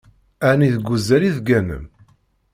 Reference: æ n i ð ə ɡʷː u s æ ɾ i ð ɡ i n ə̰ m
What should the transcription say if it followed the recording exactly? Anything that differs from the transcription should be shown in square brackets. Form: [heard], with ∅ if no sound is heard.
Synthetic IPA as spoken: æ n i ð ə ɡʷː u [z] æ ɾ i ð ɡ [æ] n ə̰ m